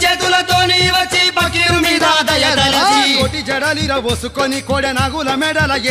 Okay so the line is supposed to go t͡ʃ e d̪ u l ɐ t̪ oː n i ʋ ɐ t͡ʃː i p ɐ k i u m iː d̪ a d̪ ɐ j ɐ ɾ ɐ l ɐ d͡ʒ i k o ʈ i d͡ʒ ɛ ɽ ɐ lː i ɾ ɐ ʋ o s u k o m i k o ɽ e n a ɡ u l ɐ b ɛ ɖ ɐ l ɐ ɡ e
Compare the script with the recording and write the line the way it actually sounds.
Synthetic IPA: t͡ʃ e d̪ u l ɐ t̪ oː n i ʋ ɐ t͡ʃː i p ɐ k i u m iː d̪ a d̪ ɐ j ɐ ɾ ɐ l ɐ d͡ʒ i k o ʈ i d͡ʒ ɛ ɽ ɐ l i ɾ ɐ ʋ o s u k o n i k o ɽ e n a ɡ u l ɐ m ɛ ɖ ɐ l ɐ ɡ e